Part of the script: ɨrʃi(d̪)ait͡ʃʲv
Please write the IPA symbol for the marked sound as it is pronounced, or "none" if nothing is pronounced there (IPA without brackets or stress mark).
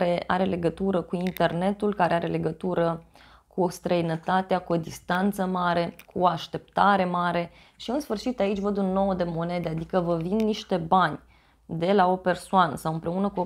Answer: t̪